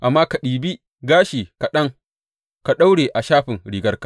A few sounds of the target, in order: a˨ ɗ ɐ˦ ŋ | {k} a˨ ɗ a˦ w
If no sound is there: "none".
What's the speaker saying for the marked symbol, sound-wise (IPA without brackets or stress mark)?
k